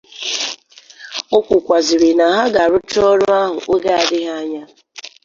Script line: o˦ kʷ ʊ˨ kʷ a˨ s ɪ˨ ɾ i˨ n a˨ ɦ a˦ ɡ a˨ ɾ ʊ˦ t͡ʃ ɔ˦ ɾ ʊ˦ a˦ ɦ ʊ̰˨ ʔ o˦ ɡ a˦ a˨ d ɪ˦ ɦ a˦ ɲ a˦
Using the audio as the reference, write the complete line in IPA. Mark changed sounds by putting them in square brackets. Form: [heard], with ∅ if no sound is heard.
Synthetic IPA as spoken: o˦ kʷ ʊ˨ kʷ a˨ [z] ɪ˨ ɾ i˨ n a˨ ɦ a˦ ɡ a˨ ɾ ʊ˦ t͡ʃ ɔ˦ ɾ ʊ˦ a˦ ɦ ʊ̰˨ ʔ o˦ ɡ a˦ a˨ d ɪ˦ ɦ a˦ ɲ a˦